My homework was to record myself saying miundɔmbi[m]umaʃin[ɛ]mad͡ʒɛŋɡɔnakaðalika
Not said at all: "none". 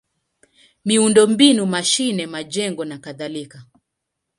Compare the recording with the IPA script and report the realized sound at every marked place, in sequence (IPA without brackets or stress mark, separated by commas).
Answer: n, ɛ